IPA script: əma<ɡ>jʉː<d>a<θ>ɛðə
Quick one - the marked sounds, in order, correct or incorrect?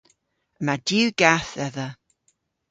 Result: incorrect: d, incorrect: ɡ, correct

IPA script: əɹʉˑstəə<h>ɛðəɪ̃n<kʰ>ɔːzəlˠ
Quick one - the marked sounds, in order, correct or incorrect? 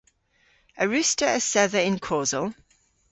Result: incorrect: s, correct

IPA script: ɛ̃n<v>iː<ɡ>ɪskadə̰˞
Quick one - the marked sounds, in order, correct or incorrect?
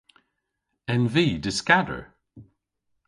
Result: correct, incorrect: d

